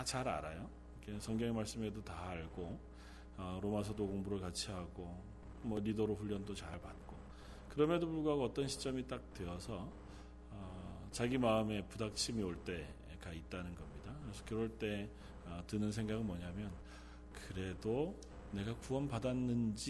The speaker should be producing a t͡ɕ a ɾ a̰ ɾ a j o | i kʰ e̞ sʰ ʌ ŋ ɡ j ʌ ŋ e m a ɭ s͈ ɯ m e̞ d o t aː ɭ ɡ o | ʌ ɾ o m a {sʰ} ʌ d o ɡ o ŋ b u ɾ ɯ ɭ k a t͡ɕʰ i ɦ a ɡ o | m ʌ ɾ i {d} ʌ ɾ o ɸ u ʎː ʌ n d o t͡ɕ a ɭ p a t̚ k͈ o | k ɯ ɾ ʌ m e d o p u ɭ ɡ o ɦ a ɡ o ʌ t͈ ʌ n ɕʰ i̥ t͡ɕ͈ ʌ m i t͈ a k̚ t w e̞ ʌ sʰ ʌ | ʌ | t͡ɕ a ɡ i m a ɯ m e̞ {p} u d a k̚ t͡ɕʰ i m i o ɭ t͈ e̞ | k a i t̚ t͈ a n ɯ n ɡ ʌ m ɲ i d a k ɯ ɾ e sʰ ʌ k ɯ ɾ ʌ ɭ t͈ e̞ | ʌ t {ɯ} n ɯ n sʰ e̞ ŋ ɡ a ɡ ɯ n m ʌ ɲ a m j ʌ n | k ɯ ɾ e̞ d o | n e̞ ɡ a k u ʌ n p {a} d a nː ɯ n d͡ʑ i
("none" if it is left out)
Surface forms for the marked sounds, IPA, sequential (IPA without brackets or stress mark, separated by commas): sʰ, d, p, ɯ, a